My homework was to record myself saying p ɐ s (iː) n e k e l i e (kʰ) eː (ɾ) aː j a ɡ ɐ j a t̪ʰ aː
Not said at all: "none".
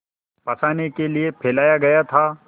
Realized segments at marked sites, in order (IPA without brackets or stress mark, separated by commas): aː, pʰ, l